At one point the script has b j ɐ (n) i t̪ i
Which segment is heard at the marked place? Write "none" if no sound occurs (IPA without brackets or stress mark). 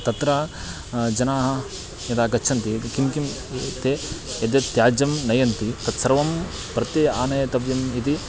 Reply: m